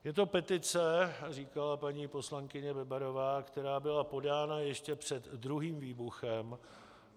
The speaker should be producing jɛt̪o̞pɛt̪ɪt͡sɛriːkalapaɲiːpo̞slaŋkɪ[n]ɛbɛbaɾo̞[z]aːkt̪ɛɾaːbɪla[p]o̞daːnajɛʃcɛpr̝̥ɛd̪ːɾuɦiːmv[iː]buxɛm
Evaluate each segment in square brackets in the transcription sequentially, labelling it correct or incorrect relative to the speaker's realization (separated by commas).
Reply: incorrect, incorrect, correct, correct